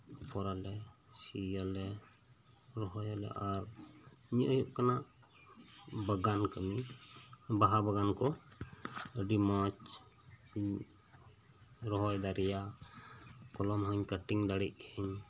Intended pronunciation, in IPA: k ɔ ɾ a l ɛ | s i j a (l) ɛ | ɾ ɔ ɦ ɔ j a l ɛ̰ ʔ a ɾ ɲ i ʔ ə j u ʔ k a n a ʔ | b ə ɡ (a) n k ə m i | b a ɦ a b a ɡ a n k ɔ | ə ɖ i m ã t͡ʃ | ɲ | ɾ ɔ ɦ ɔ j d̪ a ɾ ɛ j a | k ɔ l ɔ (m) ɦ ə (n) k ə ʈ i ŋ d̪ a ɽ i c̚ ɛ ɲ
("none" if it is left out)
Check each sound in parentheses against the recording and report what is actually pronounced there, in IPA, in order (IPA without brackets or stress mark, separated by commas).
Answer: l, a, m, ɲ